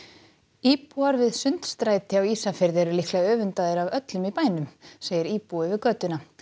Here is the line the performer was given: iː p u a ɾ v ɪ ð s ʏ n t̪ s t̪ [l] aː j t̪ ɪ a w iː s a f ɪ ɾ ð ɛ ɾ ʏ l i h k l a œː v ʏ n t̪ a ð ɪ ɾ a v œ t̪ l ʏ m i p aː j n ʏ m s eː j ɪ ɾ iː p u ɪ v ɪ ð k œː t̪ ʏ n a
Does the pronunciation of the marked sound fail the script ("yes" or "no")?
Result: yes